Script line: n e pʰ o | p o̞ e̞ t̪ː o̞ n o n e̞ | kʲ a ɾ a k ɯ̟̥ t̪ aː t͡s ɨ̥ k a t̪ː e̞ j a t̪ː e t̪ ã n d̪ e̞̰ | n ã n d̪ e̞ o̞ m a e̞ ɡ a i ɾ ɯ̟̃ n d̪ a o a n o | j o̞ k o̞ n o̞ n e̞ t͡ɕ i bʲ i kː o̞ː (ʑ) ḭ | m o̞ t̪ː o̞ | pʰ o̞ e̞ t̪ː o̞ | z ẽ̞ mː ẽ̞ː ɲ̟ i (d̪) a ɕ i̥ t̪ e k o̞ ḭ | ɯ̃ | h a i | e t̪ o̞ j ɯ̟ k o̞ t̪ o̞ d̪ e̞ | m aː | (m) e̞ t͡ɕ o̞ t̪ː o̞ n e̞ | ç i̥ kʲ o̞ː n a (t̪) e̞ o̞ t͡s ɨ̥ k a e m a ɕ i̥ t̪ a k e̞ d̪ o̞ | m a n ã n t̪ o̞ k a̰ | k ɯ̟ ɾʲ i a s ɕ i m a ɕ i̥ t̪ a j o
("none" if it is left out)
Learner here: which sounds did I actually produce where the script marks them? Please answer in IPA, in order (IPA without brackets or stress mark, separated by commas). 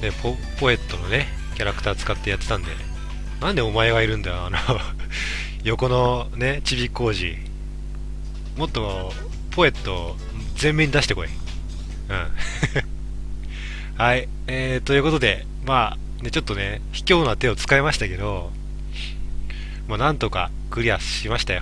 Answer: ʑ, d̪, n, t̪